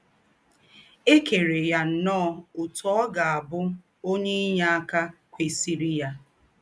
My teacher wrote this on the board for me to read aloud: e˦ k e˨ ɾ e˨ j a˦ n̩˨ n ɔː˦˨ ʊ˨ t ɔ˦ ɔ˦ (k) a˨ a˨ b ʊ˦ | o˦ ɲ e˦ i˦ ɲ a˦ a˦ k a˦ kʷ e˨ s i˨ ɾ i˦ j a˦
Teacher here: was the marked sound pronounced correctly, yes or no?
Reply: no